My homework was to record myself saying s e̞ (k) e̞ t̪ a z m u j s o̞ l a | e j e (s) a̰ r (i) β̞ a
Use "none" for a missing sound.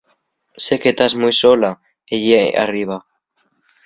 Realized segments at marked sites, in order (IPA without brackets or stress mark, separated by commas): k, none, i